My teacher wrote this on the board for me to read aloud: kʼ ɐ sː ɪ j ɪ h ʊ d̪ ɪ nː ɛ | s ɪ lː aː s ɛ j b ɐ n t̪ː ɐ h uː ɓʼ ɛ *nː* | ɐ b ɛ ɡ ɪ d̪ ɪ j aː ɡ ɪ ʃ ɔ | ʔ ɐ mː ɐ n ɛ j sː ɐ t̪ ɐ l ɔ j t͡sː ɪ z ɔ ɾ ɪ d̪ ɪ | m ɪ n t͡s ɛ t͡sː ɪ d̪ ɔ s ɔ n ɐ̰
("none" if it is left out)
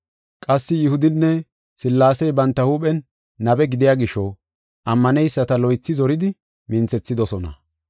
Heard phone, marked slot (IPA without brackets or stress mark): nː